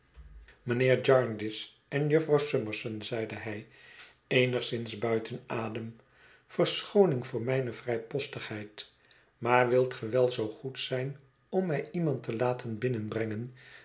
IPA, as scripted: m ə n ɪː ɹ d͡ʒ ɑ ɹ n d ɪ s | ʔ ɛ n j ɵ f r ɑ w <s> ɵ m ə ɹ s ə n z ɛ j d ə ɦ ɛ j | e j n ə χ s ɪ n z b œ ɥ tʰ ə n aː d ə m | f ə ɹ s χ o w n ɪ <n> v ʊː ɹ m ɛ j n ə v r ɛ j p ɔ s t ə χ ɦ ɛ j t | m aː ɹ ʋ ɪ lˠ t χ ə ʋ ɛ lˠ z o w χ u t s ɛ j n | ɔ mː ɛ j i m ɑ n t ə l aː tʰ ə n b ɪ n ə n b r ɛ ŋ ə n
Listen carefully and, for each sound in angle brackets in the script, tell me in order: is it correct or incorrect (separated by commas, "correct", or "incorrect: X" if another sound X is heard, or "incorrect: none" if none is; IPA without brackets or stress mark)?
correct, incorrect: ŋ